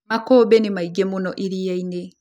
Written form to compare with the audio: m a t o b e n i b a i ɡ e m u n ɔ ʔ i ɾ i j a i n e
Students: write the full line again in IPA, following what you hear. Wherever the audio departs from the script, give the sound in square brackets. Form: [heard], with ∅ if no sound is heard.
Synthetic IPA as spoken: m a [k] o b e n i [m] a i ɡ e m u n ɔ ʔ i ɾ i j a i n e